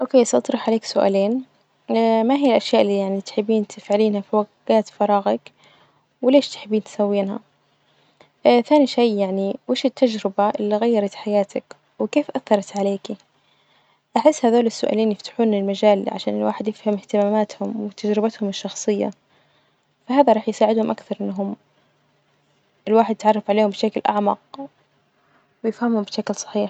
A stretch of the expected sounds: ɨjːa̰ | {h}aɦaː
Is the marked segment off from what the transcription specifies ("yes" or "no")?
yes